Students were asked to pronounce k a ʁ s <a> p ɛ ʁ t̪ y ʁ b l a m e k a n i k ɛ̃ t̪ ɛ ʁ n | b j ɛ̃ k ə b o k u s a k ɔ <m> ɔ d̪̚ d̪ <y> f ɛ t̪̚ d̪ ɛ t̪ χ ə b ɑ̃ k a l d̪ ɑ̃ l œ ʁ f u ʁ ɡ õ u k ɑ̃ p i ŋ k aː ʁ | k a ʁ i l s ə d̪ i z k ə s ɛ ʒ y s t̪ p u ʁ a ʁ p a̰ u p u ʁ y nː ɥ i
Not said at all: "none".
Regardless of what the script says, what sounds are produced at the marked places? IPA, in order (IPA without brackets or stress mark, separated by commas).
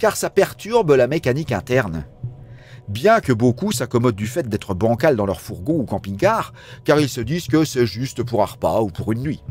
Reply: a, m, y